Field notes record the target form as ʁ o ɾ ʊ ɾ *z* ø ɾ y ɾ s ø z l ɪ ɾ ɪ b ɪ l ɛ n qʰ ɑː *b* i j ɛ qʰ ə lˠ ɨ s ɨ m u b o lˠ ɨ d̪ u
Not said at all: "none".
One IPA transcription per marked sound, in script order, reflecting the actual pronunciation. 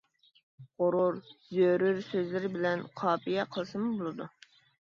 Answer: z, p

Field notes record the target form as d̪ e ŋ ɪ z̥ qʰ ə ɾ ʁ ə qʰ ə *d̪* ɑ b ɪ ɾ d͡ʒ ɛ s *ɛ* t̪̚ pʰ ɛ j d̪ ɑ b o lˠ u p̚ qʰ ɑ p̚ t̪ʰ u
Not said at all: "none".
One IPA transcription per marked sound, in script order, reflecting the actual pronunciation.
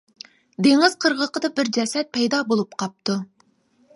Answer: d̪, ɛ

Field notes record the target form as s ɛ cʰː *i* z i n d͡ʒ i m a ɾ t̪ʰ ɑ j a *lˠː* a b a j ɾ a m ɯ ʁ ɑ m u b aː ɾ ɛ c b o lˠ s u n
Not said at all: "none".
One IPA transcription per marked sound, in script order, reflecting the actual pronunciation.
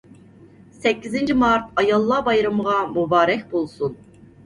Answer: i, lˠː

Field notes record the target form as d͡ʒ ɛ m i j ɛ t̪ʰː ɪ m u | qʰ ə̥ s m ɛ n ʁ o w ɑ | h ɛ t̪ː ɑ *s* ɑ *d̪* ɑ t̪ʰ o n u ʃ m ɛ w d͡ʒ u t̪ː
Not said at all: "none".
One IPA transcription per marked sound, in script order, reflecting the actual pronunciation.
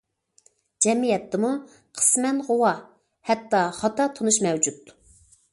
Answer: χ, t̪

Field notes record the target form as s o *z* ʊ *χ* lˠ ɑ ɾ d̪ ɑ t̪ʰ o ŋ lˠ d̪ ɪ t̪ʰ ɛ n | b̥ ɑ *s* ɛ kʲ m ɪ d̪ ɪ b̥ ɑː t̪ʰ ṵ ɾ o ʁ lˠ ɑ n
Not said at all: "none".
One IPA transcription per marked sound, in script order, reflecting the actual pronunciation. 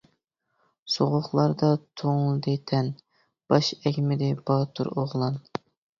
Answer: ʁ, χ, ʃ

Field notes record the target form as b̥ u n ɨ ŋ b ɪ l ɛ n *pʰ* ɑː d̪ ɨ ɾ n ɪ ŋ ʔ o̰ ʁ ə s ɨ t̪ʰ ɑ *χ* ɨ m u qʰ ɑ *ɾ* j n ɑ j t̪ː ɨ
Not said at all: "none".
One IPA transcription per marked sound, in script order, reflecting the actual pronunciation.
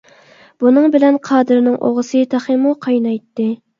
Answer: qʰ, χ, none

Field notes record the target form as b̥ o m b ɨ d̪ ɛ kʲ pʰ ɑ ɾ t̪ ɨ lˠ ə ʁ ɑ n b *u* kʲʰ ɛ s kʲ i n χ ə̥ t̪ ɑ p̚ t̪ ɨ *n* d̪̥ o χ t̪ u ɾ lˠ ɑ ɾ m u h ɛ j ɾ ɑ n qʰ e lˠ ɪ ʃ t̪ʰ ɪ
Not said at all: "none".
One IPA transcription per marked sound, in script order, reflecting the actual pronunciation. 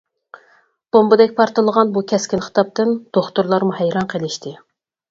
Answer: u, n

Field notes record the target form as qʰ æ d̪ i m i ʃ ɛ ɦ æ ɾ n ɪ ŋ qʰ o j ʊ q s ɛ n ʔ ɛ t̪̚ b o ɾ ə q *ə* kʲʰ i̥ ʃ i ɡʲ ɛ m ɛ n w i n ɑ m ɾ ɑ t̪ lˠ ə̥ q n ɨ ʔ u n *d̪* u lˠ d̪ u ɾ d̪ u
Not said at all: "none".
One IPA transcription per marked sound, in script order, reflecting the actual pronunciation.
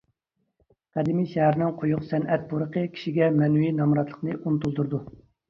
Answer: ə, t̪

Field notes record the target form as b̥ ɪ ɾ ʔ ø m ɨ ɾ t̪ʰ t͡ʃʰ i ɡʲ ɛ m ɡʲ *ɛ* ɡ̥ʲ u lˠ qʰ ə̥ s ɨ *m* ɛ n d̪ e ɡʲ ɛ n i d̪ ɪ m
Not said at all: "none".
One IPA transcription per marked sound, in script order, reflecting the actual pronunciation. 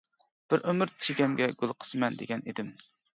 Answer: ɛ, m

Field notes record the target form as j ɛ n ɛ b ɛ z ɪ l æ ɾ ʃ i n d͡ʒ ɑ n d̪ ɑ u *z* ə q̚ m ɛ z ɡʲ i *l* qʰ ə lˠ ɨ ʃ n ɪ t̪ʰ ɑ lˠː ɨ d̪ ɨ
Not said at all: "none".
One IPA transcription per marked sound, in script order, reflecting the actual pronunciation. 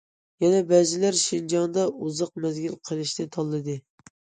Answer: z, l

